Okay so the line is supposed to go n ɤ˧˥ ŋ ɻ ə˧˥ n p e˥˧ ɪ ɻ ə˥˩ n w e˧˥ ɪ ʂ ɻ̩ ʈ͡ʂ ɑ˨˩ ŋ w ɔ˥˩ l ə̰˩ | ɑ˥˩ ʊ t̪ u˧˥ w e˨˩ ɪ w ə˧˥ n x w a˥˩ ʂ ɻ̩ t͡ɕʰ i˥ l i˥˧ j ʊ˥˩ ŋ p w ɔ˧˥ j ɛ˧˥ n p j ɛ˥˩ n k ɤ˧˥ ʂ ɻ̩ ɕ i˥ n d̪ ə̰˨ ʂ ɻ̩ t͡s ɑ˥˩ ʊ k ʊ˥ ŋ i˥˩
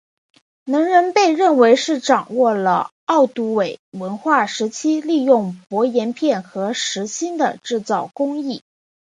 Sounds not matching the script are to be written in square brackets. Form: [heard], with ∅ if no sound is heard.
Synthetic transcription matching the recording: n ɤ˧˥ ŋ ɻ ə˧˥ n p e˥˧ ɪ ɻ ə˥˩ n w e˧˥ ɪ ʂ ɻ̩ ʈ͡ʂ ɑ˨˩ ŋ w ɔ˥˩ l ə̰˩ | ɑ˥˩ ʊ t̪ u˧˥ w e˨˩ ɪ w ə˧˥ n x w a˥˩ ʂ ɻ̩ t͡ɕʰ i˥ l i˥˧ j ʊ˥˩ ŋ p w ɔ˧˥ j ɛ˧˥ n [pʰ] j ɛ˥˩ n [x] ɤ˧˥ ʂ ɻ̩ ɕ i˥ n d̪ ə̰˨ [ʈ͡ʂ] ɻ̩ t͡s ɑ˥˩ ʊ k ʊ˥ ŋ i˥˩